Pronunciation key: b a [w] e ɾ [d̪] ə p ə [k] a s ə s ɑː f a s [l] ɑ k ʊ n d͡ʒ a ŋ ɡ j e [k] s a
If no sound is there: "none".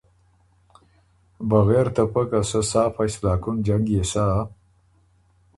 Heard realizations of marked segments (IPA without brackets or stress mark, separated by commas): ɣ, t̪, k, l, none